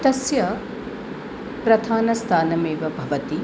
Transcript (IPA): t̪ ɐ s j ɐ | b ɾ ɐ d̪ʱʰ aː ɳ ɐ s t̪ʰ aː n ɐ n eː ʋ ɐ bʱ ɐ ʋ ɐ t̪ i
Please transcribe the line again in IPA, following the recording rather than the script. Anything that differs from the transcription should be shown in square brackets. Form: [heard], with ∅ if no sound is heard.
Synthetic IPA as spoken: t̪ ɐ s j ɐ | [p] ɾ ɐ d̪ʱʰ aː [n] ɐ s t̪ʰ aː n ɐ [m] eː ʋ ɐ bʱ ɐ ʋ ɐ t̪ i